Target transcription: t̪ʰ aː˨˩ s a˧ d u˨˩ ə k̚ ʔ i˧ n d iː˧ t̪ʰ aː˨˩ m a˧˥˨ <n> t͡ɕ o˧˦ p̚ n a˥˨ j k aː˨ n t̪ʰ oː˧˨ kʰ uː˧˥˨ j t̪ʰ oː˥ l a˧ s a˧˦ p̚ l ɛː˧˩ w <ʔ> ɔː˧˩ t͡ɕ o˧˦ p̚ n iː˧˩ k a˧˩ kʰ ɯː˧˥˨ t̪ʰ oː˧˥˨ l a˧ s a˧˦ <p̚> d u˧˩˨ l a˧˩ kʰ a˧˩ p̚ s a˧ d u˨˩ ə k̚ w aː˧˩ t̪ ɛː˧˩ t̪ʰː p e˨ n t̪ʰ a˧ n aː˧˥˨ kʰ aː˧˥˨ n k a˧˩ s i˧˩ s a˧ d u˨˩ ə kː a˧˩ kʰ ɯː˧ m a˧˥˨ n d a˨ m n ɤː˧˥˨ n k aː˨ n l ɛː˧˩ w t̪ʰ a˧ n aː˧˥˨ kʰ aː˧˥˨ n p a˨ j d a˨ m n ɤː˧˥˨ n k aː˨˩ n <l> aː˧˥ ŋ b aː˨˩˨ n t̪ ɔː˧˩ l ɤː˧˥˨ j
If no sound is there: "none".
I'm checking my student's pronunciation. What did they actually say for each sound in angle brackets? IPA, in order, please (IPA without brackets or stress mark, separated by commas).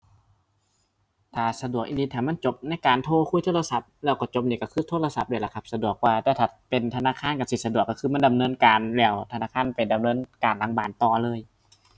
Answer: n, k, p̚, l